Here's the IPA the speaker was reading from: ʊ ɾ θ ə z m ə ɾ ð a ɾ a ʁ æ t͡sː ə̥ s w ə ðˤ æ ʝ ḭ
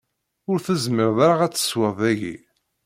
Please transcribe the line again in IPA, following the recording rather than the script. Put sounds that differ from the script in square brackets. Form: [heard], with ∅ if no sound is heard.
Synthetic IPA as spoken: ʊ ɾ θ ə z m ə ɾ ð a ɾ a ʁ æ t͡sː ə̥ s w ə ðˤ æ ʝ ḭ